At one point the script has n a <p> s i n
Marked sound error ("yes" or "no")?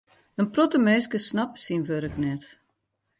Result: no